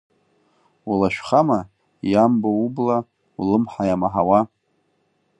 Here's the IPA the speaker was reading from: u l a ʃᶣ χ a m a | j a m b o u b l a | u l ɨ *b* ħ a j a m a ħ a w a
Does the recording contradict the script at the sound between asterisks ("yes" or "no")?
yes